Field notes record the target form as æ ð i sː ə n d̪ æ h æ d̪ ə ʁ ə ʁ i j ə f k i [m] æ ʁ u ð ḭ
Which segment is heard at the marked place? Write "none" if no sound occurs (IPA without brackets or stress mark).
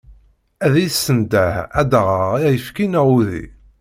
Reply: n